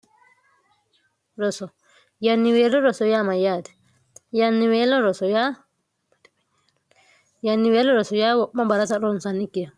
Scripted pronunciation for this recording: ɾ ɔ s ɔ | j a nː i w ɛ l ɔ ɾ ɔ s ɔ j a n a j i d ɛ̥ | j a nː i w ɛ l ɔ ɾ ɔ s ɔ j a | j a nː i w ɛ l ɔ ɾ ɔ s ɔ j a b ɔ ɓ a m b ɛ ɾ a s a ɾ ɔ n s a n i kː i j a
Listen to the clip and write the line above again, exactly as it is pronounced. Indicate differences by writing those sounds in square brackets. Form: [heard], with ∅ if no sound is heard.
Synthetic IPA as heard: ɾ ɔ s ɔ | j a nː i w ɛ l ɔ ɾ ɔ s ɔ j a [m] a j [a] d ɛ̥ | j a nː i w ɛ l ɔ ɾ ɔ s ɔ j a | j a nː i w ɛ l ɔ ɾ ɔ s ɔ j a [w] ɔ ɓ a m b [a] ɾ a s a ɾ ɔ n s a n i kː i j a